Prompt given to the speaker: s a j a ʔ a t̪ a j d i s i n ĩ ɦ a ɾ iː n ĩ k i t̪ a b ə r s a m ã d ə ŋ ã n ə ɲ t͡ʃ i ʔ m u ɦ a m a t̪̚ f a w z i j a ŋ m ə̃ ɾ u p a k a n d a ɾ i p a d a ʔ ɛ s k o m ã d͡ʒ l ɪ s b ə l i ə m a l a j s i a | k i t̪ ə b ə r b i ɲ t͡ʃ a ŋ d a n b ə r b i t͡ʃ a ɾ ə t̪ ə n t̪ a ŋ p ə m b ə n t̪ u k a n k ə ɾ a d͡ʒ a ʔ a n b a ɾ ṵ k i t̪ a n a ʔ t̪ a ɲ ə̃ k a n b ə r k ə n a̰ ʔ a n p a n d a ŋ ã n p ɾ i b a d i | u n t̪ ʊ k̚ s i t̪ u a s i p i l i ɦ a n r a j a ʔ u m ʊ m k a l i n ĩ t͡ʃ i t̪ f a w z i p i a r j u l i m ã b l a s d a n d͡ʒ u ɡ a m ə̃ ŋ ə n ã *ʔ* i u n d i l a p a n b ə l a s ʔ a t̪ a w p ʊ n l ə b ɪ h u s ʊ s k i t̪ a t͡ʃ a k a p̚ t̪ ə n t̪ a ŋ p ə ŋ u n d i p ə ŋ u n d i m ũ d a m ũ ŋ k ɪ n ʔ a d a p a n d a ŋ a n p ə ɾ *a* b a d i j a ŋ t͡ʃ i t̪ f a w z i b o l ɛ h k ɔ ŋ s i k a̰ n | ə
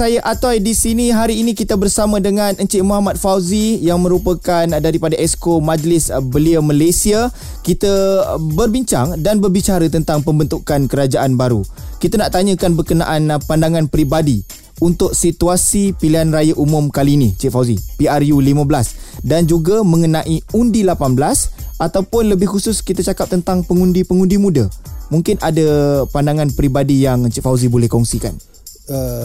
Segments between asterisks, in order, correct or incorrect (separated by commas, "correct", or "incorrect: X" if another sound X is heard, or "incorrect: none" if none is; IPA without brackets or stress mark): correct, incorrect: i